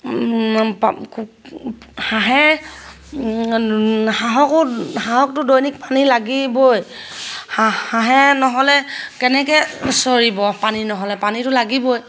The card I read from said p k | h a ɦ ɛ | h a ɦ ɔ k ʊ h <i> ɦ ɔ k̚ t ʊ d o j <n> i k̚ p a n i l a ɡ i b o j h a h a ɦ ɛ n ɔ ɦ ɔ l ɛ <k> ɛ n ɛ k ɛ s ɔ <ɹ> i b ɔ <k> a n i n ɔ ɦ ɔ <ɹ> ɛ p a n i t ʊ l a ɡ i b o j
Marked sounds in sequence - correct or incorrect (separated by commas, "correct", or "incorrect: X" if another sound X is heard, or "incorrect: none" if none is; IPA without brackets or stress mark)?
incorrect: a, correct, correct, correct, incorrect: p, incorrect: l